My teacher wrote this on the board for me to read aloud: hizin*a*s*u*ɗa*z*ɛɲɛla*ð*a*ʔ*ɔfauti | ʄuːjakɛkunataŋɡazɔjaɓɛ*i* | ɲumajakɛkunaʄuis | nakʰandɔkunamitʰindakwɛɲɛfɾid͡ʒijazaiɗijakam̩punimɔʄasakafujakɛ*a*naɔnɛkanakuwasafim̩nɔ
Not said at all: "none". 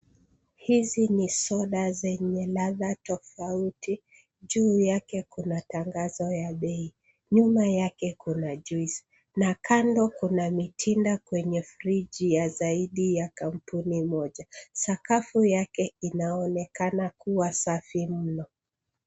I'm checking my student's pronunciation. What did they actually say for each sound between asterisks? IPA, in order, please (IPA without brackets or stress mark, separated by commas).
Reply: i, ɔ, z, ð, t, i, i